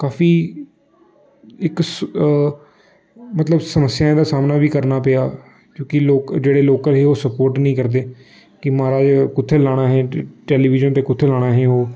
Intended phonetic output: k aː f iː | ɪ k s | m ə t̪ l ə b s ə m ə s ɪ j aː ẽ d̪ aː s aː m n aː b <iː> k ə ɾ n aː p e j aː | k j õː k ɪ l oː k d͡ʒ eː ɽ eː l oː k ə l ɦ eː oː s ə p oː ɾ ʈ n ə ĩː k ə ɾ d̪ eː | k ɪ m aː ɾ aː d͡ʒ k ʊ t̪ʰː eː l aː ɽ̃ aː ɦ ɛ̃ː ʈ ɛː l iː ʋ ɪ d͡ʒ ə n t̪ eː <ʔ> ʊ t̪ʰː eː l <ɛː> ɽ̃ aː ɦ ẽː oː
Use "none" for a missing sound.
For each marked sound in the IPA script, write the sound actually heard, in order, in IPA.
iː, k, aː

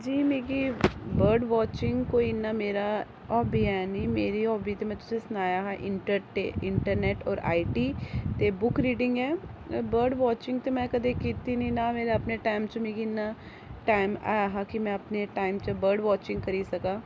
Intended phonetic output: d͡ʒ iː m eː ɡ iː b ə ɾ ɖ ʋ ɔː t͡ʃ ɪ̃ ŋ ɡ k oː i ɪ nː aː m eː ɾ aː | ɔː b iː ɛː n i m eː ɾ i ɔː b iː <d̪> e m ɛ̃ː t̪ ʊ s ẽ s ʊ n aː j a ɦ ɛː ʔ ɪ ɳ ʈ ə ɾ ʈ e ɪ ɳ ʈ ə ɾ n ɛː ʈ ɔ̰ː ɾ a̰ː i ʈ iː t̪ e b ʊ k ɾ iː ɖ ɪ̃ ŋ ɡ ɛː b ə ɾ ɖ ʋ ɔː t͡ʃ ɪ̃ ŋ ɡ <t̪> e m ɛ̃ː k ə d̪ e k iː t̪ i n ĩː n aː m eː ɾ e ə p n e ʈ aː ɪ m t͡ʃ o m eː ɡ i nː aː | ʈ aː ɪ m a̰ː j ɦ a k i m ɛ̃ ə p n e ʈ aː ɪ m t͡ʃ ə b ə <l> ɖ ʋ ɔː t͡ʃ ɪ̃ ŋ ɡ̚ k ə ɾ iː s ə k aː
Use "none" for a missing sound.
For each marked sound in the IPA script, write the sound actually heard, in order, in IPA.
t̪, t̪, ɾ

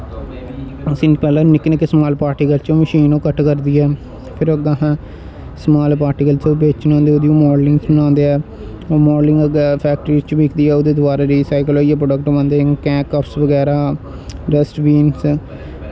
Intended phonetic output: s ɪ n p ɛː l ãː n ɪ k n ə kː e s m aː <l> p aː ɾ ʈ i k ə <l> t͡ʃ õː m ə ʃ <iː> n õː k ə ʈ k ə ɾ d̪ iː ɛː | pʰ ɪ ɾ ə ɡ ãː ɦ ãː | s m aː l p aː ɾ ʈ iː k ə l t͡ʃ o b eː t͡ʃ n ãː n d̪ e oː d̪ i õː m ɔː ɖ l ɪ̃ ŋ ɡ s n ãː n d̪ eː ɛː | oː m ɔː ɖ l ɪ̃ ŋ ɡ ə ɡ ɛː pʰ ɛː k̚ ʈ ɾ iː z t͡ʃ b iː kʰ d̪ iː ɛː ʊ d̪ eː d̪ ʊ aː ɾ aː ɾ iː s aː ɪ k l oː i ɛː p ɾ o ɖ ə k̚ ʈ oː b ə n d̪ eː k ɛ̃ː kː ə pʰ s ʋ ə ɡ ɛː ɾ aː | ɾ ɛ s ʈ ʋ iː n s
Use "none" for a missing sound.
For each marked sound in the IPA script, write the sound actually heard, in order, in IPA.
l, l, iː

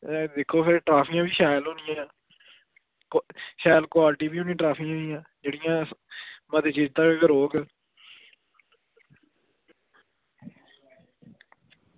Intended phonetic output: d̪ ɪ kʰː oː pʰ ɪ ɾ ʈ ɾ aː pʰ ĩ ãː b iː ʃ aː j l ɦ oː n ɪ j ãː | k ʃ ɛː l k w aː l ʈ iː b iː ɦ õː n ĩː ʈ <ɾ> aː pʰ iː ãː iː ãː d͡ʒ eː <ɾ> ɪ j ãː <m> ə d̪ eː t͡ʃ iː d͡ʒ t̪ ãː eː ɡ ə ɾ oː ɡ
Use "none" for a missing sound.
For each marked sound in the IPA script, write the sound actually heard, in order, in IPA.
ɾ, ɽ, m

